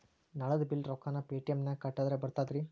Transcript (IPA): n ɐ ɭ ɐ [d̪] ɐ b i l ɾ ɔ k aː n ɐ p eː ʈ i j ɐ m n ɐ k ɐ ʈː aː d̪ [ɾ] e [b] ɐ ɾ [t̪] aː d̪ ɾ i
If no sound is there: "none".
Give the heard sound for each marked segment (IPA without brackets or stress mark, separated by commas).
d̪, ɾ, b, t̪